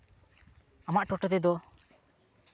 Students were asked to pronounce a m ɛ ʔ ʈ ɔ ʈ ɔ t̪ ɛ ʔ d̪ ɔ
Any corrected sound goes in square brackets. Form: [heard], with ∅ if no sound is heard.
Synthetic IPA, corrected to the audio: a m [a] ʔ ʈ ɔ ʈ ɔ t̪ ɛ [∅] d̪ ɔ